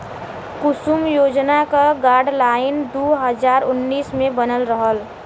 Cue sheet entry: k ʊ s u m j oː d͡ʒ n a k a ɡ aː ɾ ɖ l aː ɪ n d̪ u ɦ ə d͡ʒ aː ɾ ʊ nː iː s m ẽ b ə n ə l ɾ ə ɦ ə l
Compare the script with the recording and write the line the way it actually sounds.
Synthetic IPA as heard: k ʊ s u m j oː d͡ʒ n a k a ɡ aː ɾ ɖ l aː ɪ n d̪ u ɦ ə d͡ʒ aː ɾ ʊ nː iː s m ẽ b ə n ə l ɾ ə ɦ ə l